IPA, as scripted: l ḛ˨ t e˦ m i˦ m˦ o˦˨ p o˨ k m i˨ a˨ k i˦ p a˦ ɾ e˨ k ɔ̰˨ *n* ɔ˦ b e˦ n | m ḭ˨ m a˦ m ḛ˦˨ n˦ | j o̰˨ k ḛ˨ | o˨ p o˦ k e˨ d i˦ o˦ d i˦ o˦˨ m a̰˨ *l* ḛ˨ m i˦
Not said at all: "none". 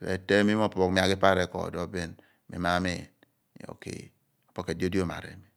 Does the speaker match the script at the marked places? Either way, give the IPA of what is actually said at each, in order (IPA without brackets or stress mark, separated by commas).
d, ɾ